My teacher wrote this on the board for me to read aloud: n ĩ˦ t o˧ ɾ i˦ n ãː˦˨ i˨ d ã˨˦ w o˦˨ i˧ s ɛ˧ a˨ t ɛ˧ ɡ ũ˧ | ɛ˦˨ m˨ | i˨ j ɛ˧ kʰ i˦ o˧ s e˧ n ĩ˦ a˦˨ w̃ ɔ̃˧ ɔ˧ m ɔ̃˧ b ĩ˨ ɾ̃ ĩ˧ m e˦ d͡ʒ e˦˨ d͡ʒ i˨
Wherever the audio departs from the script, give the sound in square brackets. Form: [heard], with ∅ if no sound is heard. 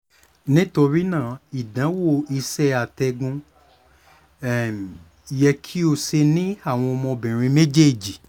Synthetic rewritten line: n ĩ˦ t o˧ ɾ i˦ n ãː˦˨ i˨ d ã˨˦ w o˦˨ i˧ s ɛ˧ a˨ t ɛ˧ ɡ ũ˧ | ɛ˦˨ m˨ | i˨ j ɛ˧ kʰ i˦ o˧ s e˧ n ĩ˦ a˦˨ w̃ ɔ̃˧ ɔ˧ m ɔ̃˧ b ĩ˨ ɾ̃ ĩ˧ m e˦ d͡ʒ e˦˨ d͡ʒ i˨